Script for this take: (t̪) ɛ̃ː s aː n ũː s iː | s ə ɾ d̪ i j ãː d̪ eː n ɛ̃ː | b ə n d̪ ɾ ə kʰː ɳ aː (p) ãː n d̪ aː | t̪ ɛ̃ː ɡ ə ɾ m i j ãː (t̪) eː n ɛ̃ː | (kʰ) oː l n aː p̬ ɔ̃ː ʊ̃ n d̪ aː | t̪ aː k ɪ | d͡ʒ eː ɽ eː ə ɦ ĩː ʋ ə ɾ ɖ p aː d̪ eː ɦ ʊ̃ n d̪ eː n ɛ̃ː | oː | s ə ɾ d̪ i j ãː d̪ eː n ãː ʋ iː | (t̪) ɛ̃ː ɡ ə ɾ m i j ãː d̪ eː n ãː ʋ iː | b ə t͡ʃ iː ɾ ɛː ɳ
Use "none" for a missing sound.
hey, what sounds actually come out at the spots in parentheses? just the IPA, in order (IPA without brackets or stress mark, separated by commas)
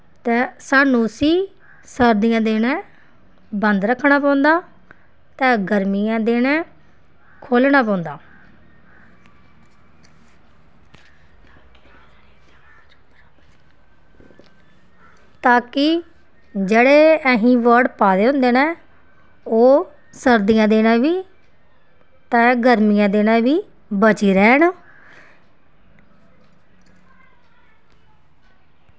t̪, p, d̪, kʰ, t̪